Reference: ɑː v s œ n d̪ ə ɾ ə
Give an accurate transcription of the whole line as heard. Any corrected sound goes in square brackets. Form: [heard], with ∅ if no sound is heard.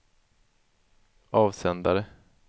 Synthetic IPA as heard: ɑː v s [ɛ] n d̪ [a] ɾ ə